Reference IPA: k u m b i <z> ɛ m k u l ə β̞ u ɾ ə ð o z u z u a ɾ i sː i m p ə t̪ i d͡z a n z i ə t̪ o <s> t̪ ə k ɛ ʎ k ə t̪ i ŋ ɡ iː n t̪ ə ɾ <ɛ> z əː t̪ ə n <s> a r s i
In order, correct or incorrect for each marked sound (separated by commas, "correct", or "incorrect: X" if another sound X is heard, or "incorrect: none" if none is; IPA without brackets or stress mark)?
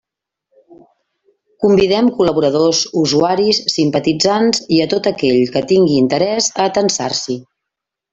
incorrect: ð, incorrect: none, correct, correct